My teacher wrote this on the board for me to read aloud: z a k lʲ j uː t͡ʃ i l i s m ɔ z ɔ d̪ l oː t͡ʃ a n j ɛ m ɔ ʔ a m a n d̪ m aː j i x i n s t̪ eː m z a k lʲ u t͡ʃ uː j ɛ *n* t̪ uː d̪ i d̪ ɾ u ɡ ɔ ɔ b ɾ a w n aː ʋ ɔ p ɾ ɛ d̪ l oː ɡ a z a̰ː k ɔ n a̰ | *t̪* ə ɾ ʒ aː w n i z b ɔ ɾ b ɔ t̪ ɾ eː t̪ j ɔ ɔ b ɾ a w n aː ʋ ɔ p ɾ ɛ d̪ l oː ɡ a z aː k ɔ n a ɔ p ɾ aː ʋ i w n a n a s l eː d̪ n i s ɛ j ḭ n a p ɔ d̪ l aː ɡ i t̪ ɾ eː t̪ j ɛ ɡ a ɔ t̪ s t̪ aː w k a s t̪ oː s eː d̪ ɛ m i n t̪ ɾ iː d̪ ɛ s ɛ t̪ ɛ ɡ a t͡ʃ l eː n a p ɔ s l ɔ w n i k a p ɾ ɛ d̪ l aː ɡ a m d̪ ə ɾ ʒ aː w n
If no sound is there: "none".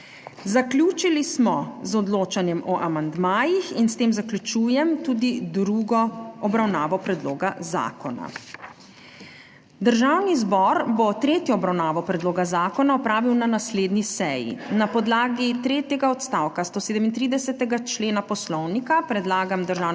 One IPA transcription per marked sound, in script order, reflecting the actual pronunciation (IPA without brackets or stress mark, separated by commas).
m, d̪